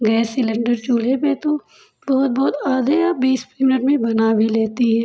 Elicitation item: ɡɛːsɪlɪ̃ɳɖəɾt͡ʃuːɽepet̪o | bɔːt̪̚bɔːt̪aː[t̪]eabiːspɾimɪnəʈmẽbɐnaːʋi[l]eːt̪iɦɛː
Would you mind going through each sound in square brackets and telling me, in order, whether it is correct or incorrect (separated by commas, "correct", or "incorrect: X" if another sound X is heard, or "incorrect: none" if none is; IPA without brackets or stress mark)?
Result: incorrect: d̪, correct